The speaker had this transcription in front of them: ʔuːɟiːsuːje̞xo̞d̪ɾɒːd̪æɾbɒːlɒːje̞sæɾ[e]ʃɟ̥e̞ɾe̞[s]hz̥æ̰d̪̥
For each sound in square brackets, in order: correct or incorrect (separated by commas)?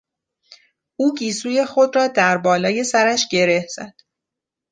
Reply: incorrect, incorrect